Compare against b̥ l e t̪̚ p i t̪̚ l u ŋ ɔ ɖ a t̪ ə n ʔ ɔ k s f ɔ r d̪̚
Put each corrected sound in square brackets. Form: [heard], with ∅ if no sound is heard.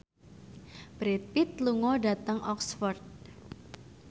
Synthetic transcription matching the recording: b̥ [ɾ] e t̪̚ p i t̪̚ l u ŋ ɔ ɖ a t̪ ə [ŋ] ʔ ɔ k s f ɔ r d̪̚